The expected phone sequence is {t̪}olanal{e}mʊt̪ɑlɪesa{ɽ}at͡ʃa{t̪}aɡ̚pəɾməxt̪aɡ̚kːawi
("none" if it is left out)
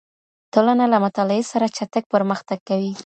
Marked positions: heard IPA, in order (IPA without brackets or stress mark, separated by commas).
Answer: t̪, a, ɾ, t̪